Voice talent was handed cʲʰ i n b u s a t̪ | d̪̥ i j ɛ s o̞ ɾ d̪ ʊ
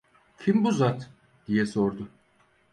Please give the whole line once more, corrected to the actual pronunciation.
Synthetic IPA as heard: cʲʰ i m b u z a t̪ | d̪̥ i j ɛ s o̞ ɾ d̪ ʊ